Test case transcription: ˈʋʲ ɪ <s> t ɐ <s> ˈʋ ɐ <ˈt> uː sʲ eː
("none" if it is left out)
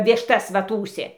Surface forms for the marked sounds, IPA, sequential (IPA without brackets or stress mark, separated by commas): ʃ, s, t